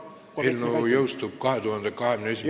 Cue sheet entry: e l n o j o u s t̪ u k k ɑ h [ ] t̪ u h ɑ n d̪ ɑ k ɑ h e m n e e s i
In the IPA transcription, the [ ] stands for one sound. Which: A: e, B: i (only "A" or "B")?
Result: A